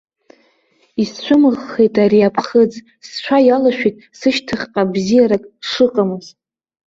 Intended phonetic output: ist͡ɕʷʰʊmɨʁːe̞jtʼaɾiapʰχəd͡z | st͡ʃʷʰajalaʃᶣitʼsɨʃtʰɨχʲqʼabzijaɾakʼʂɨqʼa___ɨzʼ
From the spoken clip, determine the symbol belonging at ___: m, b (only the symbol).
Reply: m